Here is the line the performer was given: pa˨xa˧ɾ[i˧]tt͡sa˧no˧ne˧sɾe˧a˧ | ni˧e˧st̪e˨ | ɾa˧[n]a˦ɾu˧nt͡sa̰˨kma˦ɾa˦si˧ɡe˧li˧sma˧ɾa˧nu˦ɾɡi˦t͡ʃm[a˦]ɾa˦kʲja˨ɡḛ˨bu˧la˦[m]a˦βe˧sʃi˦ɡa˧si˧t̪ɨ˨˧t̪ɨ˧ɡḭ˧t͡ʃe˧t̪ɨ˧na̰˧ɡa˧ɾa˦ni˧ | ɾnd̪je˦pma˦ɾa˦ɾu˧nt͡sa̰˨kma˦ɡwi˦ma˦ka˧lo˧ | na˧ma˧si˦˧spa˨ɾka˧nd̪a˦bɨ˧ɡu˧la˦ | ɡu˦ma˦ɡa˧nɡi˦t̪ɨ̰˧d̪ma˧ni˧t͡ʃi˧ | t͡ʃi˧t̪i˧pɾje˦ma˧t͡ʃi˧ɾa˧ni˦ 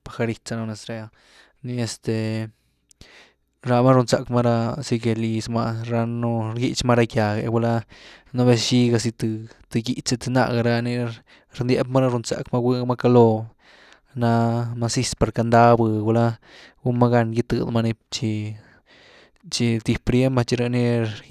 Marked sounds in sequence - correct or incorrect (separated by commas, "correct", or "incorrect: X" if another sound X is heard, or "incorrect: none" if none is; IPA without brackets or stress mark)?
correct, incorrect: m, correct, incorrect: n